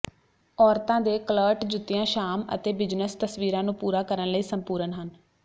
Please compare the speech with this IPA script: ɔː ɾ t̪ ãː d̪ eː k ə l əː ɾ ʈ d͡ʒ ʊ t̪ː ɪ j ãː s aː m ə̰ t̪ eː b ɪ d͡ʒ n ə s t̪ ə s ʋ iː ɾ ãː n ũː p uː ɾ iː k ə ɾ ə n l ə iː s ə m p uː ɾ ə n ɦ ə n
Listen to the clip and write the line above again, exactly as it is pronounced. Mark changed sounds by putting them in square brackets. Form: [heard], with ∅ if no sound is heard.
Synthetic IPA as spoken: ɔː ɾ t̪ ãː d̪ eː k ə l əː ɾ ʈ d͡ʒ ʊ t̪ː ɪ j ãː [ʃ] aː m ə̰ t̪ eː b ɪ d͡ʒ n ə s t̪ ə s ʋ iː ɾ ãː n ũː p uː ɾ [aː] k ə ɾ ə n l ə iː s ə m p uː ɾ ə n ɦ ə n

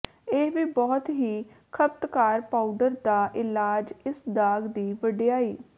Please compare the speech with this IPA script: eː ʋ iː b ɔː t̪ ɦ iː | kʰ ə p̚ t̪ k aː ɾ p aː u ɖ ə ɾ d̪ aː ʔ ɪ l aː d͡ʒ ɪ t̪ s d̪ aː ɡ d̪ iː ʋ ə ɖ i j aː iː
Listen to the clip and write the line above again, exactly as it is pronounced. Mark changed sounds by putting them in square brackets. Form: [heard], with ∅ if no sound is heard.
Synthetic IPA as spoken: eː ʋ iː b ɔː t̪ ɦ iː | kʰ ə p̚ t̪ k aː ɾ p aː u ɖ ə ɾ d̪ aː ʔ ɪ l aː d͡ʒ ɪ [∅] s d̪ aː ɡ d̪ iː ʋ ə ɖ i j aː iː

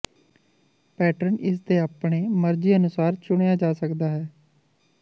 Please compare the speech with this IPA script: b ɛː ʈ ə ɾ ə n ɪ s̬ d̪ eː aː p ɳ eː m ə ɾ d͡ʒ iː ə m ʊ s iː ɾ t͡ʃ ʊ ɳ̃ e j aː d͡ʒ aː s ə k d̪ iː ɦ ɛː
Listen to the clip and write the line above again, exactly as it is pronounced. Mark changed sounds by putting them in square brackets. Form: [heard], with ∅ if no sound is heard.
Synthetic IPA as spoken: [p] ɛː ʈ ə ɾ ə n ɪ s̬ d̪ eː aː p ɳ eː m ə ɾ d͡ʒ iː ə [n] ʊ s [aː] ɾ t͡ʃ ʊ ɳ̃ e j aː d͡ʒ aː s ə k d̪ [aː] ɦ ɛː

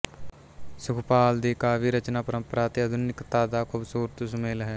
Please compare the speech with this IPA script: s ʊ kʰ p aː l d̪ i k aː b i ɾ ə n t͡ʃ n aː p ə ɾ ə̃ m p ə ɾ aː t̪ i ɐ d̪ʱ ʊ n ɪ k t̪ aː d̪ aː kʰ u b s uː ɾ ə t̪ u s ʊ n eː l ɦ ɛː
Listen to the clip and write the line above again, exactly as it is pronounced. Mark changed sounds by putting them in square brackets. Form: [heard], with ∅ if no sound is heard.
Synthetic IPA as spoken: s ʊ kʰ p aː l d̪ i k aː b i ɾ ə [∅] t͡ʃ n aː p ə ɾ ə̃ m p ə ɾ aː t̪ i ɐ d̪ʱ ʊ n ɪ k t̪ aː d̪ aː kʰ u b s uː ɾ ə t̪ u s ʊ [m] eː l ɦ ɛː

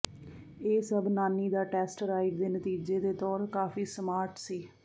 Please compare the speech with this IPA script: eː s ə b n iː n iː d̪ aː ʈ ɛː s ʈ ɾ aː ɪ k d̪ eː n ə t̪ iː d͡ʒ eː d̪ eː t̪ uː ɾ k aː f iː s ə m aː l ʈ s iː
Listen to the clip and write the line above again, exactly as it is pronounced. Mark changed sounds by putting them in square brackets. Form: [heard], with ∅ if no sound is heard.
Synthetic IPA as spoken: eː s ə b n [aː] n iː d̪ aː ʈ ɛː s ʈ ɾ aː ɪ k d̪ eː n ə t̪ iː d͡ʒ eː d̪ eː t̪ [ɔː] ɾ k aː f iː s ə m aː [ɾ] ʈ s iː

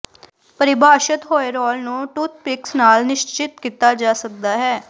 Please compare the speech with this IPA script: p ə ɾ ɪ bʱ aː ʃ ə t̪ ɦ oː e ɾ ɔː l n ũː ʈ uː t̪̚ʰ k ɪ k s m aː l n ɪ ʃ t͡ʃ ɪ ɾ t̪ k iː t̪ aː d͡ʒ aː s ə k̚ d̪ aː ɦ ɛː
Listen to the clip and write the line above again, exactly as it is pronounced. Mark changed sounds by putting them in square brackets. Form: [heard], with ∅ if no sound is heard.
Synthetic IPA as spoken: p ə ɾ ɪ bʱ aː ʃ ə t̪ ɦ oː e ɾ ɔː l n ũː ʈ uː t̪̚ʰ [p] ɪ k s [n] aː l n ɪ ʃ t͡ʃ ɪ [∅] t̪ k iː t̪ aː d͡ʒ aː s ə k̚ d̪ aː ɦ ɛː

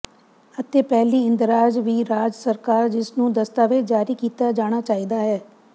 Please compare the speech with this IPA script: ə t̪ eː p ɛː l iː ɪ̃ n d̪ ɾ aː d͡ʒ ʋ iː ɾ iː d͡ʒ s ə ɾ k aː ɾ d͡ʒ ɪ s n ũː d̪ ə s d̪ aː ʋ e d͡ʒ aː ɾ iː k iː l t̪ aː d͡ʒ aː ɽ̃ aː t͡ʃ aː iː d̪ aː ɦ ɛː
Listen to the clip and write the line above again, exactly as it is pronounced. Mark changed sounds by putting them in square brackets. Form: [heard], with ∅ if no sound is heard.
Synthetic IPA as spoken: ə t̪ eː p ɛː l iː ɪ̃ n d̪ ɾ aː d͡ʒ ʋ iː ɾ [aː] d͡ʒ s ə ɾ k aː ɾ d͡ʒ ɪ s n ũː d̪ ə s [t̪] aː ʋ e d͡ʒ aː ɾ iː k iː [∅] t̪ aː d͡ʒ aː ɽ̃ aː t͡ʃ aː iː d̪ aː ɦ ɛː

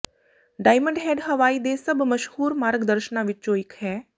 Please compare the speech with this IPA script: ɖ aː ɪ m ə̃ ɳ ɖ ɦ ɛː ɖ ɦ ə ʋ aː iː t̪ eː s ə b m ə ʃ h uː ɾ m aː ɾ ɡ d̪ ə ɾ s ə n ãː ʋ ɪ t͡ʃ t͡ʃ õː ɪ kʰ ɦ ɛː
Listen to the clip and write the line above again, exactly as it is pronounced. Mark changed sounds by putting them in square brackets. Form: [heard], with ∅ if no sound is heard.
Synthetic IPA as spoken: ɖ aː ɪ m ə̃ ɳ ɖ ɦ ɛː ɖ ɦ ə ʋ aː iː [d̪] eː s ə b m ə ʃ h uː ɾ m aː ɾ ɡ d̪ ə ɾ [ʃ] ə n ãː ʋ ɪ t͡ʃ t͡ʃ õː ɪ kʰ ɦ ɛː

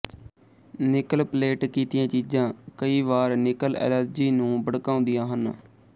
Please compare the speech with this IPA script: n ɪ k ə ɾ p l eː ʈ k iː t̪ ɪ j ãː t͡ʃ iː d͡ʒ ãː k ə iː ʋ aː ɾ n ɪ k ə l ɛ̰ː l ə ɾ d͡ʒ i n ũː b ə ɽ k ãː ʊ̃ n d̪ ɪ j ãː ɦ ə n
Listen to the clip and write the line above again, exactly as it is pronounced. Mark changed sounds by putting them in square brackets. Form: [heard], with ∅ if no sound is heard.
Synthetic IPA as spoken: n ɪ k ə [l] p l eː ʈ k iː t̪ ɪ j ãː t͡ʃ iː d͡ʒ ãː k ə iː ʋ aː ɾ n ɪ k ə l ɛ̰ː l ə ɾ d͡ʒ [iː] n ũː b ə ɽ k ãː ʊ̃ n d̪ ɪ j ãː ɦ ə n

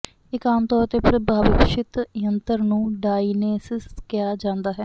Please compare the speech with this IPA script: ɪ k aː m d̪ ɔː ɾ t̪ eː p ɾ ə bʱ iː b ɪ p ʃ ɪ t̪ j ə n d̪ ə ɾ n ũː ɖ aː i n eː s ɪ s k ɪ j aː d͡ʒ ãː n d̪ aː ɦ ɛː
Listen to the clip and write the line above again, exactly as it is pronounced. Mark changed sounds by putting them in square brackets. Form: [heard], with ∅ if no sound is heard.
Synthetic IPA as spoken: ɪ k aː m [t̪] ɔː ɾ t̪ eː p ɾ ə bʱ [aː] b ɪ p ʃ ɪ t̪ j ə n [t̪] ə ɾ n ũː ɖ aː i n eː s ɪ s k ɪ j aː d͡ʒ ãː n d̪ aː ɦ ɛː

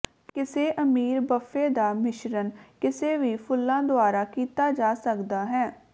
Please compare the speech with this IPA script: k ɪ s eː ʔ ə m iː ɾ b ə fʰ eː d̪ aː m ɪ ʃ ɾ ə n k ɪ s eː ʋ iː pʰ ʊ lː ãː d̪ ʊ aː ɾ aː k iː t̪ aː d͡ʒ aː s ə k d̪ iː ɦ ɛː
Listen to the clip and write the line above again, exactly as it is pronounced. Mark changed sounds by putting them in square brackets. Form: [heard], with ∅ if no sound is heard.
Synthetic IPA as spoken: k ɪ s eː ʔ ə m iː ɾ b ə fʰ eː d̪ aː m ɪ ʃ ɾ ə n k ɪ s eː ʋ iː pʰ ʊ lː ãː d̪ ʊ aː ɾ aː k iː t̪ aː d͡ʒ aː s ə k d̪ [aː] ɦ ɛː

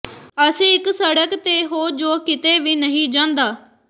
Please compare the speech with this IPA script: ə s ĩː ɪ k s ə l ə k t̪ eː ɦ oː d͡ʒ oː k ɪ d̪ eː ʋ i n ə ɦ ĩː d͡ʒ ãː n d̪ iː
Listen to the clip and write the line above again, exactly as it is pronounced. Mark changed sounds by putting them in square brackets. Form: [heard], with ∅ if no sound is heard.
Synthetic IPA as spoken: ə s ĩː ɪ k s ə [ɽ] ə k t̪ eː ɦ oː d͡ʒ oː k ɪ [t̪] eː ʋ [iː] n ə ɦ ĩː d͡ʒ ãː n d̪ [aː]

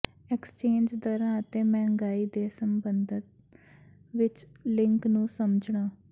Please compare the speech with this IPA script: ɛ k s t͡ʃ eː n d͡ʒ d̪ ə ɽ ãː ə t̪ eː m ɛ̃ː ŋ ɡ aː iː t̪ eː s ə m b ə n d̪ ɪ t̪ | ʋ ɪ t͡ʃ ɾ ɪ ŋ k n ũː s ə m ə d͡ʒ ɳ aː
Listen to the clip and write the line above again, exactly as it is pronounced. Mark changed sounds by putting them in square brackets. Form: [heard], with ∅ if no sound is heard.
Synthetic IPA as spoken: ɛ k s t͡ʃ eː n d͡ʒ d̪ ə [ɾ] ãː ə t̪ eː m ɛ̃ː ŋ ɡ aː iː [d̪] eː s ə m b ə n d̪ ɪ t̪ | ʋ ɪ t͡ʃ [l] ɪ ŋ k n ũː s ə m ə d͡ʒ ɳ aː

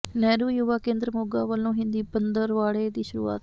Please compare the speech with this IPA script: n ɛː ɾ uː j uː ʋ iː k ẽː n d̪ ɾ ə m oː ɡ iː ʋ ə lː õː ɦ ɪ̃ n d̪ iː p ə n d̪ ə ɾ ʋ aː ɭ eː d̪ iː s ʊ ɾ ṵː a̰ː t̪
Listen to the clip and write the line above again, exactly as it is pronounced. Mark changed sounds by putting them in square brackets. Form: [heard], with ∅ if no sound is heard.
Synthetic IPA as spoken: n ɛː ɾ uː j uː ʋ [aː] k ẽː n d̪ ɾ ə m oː ɡ [aː] ʋ ə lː õː ɦ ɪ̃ n d̪ iː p ə n d̪ ə ɾ ʋ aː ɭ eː d̪ iː [ʃ] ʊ ɾ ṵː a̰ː t̪

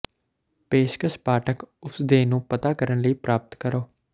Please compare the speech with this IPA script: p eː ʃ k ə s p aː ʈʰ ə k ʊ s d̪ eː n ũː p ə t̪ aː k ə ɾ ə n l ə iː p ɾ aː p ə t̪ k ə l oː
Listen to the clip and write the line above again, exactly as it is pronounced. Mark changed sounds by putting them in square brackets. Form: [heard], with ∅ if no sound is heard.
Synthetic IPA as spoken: p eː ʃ k ə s p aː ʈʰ ə k ʊ s d̪ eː n ũː p ə t̪ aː k ə ɾ ə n l ə iː p ɾ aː p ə t̪ k ə [ɾ] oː

